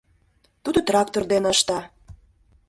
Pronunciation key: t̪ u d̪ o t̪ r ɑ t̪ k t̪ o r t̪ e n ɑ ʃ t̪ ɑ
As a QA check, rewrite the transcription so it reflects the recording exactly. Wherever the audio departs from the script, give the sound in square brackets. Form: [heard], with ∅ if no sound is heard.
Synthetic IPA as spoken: t̪ u d̪ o t̪ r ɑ [∅] k t̪ o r [d̪] e n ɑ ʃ t̪ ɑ

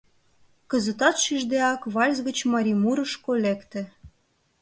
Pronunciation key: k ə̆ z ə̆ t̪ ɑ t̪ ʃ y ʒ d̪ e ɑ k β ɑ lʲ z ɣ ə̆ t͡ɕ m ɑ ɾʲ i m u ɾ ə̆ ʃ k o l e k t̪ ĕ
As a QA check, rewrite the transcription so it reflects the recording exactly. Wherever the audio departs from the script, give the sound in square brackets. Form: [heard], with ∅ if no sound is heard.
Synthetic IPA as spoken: k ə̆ z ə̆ t̪ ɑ t̪ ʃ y ʒ d̪ e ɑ k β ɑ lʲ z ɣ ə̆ t͡ɕ m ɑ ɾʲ i m u ɾ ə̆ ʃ k o l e k t̪ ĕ

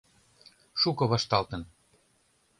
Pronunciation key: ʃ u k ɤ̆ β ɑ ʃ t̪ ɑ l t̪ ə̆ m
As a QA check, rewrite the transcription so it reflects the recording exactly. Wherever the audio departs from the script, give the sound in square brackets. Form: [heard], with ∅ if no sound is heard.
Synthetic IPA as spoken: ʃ u k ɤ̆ β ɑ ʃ t̪ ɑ l t̪ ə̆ [n]

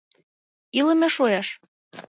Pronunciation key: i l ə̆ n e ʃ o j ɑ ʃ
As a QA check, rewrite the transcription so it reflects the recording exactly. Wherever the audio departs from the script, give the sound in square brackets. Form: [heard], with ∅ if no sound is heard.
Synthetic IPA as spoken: i l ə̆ [m] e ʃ o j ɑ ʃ

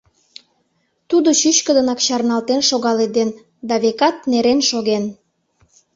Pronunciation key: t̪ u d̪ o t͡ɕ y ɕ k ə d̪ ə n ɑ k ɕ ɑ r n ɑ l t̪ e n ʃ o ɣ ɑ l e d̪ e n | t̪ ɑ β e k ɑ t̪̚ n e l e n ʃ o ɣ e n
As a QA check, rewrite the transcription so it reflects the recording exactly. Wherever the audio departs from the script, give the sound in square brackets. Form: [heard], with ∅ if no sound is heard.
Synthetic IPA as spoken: t̪ u d̪ o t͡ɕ y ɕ k ə d̪ ə n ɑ k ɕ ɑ r n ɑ l t̪ e n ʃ o ɣ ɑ l e d̪ e n | [d̪] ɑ β e k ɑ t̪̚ n e [ɾ] e n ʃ o ɣ e n

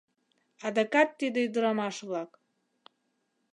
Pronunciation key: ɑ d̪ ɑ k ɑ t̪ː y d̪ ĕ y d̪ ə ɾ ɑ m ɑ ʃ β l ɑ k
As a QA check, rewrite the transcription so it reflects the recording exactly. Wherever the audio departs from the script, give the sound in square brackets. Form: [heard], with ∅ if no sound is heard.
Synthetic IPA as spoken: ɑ d̪ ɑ k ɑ t̪ː [i] d̪ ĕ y d̪ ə ɾ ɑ m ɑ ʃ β l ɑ k

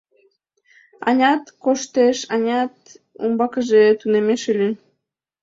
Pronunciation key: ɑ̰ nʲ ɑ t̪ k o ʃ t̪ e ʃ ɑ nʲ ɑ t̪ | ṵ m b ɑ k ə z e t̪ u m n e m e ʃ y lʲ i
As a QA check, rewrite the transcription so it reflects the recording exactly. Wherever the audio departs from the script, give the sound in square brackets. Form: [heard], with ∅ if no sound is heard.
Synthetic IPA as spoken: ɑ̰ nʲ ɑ t̪ k o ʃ t̪ e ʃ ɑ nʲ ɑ t̪ | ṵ m b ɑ k ə [ʒ] e t̪ u [∅] n e m e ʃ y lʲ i

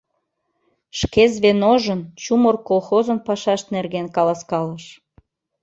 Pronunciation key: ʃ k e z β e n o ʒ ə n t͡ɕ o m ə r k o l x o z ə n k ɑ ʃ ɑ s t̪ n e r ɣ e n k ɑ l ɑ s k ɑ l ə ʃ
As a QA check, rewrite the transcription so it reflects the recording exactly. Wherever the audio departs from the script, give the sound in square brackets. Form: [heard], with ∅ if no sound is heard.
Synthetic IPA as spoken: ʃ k e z β e n o ʒ ə n t͡ɕ [u] m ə r k o l x o z ə n [p] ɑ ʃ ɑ [ʃ] t̪ n e r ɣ e n k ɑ l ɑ s k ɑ l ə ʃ

